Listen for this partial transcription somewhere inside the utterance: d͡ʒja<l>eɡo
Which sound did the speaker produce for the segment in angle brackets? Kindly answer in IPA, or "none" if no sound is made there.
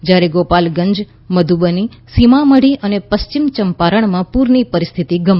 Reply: ɾ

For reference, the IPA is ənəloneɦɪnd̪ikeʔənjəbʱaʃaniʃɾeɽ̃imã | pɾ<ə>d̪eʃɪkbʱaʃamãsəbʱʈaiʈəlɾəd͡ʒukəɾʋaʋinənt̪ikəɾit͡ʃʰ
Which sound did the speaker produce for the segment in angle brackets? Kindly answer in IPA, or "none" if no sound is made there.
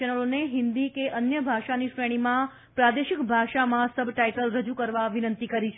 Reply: a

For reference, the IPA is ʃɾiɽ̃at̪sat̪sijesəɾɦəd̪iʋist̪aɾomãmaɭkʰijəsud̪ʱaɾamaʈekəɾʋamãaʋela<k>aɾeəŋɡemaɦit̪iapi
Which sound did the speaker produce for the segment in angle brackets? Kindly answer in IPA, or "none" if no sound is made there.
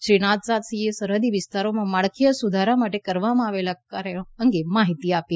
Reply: k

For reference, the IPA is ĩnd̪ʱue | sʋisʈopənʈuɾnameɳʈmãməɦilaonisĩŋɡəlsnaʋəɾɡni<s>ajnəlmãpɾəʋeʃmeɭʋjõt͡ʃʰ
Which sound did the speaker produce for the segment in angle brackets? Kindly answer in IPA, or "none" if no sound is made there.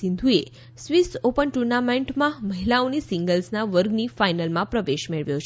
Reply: f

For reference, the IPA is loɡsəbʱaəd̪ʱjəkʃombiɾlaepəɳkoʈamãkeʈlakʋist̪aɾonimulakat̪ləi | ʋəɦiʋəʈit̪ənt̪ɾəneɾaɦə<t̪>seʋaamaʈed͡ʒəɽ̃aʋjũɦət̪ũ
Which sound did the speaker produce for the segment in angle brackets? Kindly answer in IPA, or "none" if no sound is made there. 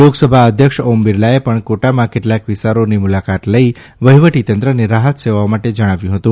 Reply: t̪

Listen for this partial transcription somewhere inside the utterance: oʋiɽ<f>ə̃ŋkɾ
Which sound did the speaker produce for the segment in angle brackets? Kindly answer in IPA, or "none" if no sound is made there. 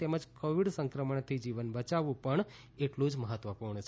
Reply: s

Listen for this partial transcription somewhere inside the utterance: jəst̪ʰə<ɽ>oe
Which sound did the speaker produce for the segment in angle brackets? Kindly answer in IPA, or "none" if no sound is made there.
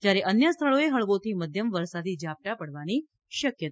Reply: ɭ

